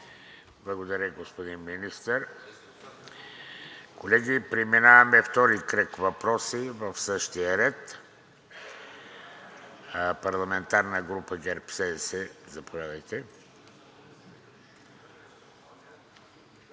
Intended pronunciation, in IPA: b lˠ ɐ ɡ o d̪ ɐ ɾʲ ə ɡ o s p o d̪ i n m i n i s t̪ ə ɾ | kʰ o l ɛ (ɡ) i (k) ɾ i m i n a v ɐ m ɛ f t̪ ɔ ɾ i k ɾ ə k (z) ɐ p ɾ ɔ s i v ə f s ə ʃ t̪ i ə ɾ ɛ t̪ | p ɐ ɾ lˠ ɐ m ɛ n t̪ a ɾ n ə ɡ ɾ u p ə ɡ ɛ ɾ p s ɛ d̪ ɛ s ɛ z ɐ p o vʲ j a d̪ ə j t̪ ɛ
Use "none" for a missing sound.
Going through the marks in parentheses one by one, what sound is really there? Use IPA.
ɡ, p, v

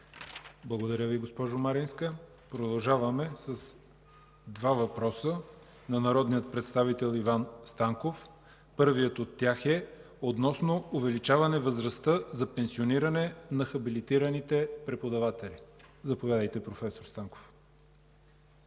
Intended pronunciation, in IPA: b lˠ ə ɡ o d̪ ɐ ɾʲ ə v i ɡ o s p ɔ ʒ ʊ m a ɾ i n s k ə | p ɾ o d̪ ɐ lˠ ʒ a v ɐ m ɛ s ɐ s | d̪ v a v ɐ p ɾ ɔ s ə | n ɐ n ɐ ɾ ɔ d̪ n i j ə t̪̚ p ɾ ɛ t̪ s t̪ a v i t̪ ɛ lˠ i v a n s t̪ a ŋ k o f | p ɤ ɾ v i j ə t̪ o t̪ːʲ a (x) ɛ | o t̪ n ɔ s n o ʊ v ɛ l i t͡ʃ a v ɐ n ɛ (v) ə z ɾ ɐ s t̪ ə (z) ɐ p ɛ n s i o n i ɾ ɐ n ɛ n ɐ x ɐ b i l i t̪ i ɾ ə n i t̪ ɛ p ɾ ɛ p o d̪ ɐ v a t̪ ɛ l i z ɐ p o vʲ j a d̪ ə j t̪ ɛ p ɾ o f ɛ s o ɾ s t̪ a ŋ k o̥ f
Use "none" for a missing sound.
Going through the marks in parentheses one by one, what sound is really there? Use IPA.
x, v, z

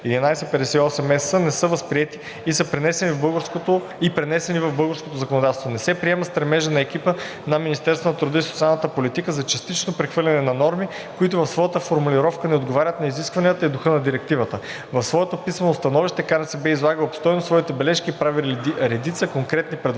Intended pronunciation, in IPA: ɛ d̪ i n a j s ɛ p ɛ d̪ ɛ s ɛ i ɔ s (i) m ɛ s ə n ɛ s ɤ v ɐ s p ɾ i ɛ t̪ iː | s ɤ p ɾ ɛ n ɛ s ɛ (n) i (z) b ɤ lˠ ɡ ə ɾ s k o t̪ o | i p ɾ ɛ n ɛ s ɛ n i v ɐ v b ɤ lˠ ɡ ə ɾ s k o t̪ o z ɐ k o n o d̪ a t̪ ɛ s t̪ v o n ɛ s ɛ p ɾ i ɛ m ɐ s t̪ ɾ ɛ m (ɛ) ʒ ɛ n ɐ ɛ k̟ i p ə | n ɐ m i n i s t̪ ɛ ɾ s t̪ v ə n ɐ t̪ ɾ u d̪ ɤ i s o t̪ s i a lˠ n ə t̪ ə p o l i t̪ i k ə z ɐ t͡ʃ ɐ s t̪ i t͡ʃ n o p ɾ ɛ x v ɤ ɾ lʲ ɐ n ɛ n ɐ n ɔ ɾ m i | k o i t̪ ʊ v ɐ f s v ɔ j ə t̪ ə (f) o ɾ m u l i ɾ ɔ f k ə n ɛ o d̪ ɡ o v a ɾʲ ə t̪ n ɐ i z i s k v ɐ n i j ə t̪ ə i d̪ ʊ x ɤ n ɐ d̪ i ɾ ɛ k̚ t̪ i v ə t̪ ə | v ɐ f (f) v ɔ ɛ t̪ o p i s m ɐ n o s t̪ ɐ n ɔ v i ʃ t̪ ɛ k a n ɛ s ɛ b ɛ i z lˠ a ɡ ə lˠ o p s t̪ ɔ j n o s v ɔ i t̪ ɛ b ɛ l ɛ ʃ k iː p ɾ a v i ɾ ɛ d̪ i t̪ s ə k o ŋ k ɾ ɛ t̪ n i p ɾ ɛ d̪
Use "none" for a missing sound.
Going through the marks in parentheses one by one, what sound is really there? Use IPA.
ɛ, n, v, ɛ, f, s

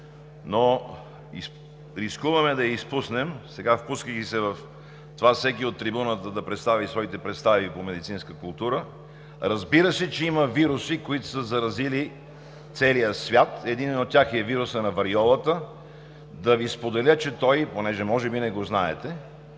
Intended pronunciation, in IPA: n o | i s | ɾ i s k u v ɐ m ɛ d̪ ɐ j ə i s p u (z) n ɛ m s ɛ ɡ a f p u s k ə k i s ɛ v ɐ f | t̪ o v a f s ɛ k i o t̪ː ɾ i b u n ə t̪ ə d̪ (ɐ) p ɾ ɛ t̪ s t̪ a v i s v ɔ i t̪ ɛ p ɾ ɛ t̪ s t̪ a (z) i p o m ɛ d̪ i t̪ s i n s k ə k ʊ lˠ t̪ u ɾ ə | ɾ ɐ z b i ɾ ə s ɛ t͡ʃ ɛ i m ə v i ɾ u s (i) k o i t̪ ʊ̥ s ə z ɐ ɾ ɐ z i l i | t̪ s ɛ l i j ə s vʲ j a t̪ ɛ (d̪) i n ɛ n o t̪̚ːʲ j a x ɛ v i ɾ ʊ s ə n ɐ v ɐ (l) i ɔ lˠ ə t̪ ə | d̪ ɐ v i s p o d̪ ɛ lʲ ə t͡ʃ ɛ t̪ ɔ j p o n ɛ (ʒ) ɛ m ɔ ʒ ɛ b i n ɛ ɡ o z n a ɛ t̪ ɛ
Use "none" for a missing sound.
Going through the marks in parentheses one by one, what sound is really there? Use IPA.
s, ɐ, v, i, d̪, ɾ, ʒ

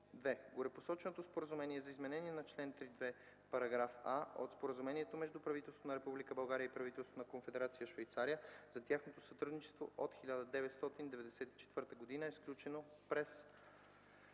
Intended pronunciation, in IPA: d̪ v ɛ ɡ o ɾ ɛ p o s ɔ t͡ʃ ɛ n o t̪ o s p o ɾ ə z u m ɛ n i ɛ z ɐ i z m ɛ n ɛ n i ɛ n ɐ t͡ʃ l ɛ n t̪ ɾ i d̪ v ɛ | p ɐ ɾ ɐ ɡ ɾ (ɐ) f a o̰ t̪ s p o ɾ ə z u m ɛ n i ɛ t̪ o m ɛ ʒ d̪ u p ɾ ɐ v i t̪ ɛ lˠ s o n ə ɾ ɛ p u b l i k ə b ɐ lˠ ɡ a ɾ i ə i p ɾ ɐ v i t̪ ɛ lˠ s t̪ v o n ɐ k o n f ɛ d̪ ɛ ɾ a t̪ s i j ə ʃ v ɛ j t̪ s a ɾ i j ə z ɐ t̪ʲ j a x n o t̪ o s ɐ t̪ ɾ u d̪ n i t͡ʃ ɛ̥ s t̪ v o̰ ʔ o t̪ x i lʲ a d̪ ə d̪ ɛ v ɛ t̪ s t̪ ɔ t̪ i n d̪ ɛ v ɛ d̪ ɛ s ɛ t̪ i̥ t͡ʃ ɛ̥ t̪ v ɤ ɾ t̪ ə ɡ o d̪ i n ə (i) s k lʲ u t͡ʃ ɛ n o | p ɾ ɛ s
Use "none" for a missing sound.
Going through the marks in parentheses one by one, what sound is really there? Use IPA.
a, ɛ

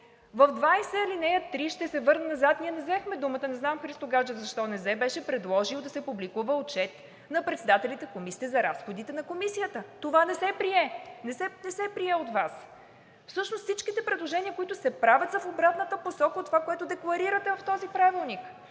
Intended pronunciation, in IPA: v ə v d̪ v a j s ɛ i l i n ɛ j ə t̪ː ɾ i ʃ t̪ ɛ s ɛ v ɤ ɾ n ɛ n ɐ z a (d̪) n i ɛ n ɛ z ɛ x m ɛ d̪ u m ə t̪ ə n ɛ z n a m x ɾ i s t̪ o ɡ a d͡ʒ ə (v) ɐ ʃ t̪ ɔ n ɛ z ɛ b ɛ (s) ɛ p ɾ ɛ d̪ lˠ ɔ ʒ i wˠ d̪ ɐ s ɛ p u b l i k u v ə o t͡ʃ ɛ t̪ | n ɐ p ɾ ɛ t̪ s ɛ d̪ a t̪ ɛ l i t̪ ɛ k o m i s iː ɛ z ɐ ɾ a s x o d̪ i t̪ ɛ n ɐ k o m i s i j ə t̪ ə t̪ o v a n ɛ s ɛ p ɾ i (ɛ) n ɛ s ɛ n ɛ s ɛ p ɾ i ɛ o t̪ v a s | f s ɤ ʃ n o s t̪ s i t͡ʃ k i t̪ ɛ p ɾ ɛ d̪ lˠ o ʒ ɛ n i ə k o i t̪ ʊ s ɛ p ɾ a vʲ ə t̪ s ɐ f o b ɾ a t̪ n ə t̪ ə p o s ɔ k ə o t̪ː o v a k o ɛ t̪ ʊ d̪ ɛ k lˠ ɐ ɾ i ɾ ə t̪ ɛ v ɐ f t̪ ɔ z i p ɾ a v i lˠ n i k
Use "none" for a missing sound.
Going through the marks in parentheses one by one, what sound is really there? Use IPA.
t̪, z, ʃ, ɛ

